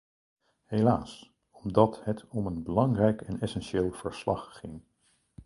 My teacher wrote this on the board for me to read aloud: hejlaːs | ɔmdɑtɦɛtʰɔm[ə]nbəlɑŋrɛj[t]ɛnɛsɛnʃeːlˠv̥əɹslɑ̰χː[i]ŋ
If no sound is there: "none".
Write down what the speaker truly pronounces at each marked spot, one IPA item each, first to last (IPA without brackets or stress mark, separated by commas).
ə, k, ɪ